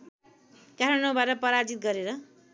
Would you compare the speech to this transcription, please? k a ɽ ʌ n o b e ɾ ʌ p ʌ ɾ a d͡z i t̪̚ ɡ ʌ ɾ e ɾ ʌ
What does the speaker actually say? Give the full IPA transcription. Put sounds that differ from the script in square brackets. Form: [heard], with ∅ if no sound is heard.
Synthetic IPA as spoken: k a [ɾ] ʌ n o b [a] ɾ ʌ p ʌ ɾ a d͡z i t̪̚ ɡ ʌ ɾ e ɾ ʌ